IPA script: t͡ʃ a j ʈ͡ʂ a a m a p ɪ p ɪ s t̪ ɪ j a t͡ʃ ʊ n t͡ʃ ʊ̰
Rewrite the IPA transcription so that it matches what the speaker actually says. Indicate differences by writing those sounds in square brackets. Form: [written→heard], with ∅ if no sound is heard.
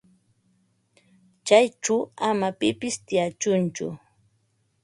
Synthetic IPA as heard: t͡ʃ a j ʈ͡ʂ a a m a p ɪ p ɪ s t̪ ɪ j a t͡ʃ ʊ n t͡ʃ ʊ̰